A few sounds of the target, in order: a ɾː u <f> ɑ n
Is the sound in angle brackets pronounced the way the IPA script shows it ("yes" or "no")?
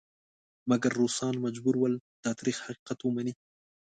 no